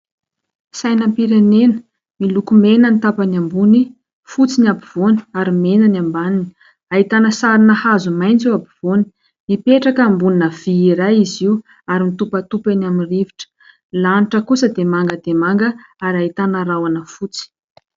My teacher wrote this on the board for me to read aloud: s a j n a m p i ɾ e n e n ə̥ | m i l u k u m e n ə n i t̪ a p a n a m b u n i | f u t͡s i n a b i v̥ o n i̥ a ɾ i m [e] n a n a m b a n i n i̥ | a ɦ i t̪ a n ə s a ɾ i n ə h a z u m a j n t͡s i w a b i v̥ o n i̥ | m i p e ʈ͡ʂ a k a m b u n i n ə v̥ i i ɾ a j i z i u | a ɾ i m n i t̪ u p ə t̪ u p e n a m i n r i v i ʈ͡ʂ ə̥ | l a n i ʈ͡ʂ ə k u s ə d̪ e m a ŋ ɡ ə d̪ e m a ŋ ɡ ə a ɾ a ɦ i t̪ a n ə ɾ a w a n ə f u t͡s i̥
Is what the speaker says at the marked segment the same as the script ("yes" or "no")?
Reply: yes